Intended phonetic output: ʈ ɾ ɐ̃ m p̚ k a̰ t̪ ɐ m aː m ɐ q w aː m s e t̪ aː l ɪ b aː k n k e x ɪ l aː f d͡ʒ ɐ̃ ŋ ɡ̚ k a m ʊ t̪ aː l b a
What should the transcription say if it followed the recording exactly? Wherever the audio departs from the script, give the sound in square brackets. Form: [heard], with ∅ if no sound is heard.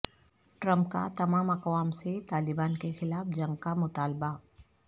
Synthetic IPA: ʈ ɾ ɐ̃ m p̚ k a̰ t̪ ɐ m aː m ɐ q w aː m s e t̪ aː l ɪ b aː [∅] n k e x ɪ l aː f d͡ʒ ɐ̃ ŋ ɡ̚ k a m ʊ t̪ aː l b a

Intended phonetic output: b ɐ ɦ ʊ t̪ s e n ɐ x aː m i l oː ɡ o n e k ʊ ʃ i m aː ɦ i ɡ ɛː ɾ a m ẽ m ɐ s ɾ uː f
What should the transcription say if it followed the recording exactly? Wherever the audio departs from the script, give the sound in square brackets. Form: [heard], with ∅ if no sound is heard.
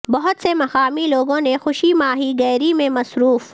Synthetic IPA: b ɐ ɦ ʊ t̪ s e [m] ɐ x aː m i l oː ɡ [õ] n e [x] ʊ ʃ i m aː ɦ i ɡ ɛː ɾ [i] m ẽ m ɐ s ɾ uː f

